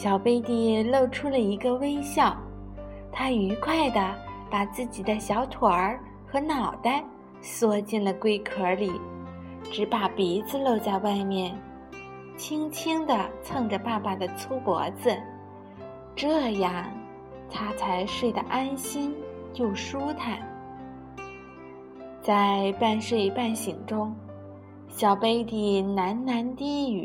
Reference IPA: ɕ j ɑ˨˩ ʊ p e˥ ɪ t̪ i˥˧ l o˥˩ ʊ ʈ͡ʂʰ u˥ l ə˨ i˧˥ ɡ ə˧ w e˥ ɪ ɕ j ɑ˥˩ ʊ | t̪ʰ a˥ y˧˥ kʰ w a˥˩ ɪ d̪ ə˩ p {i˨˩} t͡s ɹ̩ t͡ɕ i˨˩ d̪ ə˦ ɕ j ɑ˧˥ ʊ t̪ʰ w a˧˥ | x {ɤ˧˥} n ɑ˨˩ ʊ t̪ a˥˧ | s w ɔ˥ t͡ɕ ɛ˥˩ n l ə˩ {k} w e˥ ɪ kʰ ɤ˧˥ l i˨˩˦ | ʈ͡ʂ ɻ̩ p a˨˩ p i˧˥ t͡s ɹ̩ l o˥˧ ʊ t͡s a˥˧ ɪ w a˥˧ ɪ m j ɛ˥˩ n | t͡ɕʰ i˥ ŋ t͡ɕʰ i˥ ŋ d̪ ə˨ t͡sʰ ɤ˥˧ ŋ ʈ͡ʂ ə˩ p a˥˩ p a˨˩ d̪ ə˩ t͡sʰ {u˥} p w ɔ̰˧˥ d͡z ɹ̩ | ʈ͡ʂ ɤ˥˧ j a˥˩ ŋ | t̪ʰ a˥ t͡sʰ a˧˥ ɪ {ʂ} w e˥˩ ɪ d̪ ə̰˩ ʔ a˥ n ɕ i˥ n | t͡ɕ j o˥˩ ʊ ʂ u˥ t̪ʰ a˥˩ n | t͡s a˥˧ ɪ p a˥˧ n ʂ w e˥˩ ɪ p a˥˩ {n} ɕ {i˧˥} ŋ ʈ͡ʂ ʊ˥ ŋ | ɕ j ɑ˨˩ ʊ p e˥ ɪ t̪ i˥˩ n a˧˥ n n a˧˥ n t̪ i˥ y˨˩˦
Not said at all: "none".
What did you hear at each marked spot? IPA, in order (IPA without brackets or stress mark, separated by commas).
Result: a˨˩, ɤ˧˥, k, u˥, ʂ, n, i˨˩